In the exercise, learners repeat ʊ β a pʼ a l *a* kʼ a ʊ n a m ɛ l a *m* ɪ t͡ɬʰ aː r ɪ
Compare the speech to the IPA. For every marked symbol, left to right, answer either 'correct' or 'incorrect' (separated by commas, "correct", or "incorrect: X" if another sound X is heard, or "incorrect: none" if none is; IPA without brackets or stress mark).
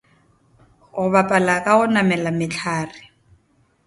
correct, correct